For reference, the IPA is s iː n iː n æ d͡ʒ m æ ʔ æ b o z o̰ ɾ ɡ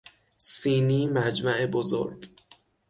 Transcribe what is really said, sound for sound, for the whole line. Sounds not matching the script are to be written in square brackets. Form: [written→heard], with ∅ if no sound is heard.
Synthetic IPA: s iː n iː [n→m] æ d͡ʒ m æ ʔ [æ→e] b o z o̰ ɾ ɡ

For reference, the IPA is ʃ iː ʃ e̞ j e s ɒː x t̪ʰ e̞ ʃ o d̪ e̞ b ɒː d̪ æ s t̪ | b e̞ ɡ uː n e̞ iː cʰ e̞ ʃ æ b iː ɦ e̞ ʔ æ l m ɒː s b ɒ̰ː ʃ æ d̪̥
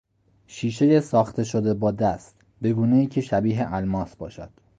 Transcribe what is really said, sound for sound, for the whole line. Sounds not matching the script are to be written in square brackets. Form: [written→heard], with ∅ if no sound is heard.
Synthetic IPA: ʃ iː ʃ e̞ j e s ɒː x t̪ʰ e̞ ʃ o d̪ e̞ b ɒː d̪ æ s t̪ | b e̞ ɡ uː n e̞ iː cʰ e̞ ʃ æ b iː ɦ e̞ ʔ æ l m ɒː s b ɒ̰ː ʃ æ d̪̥

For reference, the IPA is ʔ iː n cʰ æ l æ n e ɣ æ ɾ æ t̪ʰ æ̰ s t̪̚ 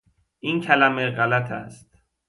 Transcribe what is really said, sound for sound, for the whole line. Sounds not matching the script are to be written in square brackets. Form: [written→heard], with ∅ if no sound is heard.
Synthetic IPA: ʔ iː n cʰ æ l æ [n→m] e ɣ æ [ɾ→l] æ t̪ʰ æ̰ s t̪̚

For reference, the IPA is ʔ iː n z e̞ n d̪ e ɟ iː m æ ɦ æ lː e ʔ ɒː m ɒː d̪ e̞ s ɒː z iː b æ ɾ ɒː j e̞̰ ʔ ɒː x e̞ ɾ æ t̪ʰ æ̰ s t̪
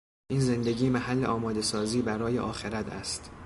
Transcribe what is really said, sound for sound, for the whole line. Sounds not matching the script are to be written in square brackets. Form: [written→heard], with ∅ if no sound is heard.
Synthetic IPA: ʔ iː n z e̞ n d̪ e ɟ iː m æ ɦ æ lː e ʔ ɒː m ɒː d̪ e̞ s ɒː z iː b æ ɾ ɒː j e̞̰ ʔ ɒː x e̞ ɾ æ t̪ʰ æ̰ s t̪

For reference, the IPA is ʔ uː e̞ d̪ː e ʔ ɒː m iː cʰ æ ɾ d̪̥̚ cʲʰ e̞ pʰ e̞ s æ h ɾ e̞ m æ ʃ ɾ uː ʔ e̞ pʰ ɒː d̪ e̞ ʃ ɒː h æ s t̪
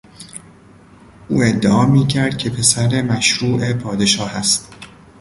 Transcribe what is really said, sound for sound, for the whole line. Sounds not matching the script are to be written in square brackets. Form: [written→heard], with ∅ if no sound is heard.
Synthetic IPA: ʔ uː e̞ d̪ː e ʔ ɒː m iː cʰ æ ɾ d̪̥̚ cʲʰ e̞ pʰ e̞ s æ [h→∅] ɾ e̞ m æ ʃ ɾ uː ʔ e̞ pʰ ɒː d̪ e̞ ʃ ɒː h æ s t̪

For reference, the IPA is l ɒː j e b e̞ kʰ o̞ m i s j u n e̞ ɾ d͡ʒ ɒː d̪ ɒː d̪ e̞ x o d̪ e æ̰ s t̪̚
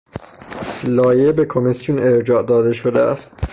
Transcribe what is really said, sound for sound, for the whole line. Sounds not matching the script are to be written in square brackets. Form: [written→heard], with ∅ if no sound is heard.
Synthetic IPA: l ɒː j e b e̞ kʰ o̞ m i s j u n e̞ ɾ d͡ʒ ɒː d̪ ɒː d̪ e̞ [x→ʃ] o d̪ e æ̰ s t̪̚

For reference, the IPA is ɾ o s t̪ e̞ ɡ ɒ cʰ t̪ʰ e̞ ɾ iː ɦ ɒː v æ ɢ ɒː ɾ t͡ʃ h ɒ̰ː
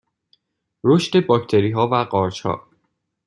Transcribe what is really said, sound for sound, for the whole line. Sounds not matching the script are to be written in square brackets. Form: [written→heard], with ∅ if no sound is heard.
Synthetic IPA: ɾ o [s→ʃ] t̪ e̞ [ɡ→b] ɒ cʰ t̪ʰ e̞ ɾ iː ɦ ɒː v æ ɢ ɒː ɾ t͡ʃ h ɒ̰ː

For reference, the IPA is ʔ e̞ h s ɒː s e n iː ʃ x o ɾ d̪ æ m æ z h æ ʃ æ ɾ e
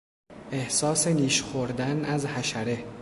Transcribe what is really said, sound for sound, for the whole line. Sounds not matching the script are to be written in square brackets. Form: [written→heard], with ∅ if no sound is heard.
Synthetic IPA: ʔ e̞ h s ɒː s e n iː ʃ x o ɾ d̪ æ [m→n] æ z h æ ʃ æ ɾ e

